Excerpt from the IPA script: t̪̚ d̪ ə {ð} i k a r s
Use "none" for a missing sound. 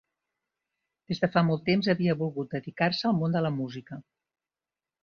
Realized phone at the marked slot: ð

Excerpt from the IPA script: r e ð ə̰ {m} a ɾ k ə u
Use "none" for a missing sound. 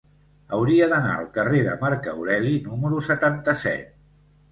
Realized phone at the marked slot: m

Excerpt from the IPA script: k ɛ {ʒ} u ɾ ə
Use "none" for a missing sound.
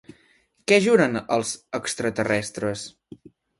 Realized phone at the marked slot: ʒ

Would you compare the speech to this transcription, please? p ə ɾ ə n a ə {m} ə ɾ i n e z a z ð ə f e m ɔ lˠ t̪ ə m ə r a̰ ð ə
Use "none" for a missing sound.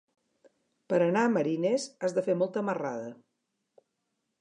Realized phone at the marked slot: m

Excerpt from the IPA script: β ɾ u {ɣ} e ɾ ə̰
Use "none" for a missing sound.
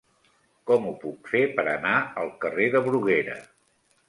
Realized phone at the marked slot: ɣ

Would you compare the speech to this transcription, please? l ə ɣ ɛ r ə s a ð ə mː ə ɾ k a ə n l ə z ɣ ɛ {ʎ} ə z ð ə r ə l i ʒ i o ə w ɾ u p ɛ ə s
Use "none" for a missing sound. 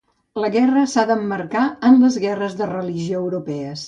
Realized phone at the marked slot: r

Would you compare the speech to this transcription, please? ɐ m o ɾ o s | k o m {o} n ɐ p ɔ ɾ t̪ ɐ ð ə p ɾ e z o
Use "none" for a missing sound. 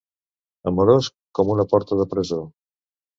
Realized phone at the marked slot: u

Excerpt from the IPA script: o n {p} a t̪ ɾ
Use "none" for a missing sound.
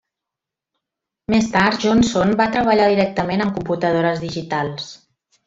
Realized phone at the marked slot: b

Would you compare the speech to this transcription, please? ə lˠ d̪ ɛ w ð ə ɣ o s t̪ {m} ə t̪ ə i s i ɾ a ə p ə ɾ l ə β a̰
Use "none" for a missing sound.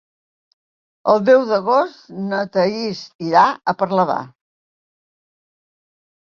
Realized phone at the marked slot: n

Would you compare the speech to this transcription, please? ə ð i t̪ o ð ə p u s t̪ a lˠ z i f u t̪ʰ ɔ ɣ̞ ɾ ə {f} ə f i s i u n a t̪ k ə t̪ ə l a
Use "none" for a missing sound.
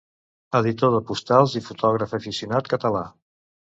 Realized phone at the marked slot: f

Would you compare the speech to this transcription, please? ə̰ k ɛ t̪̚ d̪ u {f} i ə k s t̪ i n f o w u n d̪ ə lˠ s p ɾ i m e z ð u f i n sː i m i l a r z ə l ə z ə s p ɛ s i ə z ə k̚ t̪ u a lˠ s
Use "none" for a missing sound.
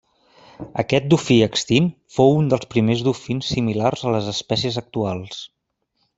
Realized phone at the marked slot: f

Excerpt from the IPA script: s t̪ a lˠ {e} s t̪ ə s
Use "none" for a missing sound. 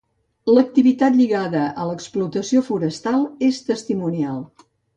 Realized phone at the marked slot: e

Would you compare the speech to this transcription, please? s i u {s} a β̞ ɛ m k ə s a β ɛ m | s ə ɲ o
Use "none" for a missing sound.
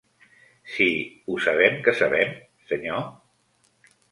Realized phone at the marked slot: s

